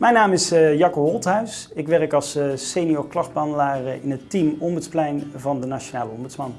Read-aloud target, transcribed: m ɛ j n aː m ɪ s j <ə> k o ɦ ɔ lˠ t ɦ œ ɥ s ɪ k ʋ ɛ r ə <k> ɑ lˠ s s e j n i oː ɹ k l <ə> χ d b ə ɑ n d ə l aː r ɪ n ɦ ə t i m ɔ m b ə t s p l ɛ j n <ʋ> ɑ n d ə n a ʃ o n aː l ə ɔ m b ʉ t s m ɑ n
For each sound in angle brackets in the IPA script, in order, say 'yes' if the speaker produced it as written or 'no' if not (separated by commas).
no, yes, no, no